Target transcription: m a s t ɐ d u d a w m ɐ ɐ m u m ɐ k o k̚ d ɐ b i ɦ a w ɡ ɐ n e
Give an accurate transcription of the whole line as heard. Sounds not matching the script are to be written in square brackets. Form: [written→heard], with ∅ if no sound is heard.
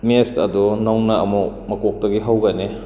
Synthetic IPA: m [a→e] s t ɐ d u [d→n] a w [m→n] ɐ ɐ m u m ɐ k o k̚ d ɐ [b→ɡ] i ɦ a w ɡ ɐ n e